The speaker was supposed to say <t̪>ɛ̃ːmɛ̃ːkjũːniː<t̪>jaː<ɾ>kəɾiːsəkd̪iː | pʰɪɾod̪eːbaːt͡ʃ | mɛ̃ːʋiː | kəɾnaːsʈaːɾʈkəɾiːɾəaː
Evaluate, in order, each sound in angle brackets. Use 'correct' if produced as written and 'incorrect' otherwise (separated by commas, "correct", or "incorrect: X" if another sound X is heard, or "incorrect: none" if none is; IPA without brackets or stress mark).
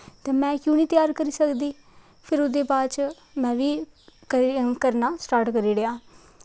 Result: correct, correct, correct